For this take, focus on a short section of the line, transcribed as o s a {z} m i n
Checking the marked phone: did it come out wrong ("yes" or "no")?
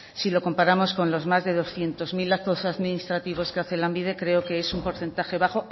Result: yes